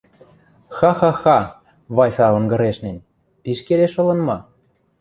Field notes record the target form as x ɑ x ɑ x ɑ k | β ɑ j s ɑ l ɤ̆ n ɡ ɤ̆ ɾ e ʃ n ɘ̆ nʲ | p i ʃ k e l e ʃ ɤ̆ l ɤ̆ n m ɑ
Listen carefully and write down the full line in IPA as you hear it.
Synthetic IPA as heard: x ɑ x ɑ x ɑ | β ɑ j s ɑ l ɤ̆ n ɡ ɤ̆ ɾ e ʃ n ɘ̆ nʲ | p i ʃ k e l e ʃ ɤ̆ l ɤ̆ n m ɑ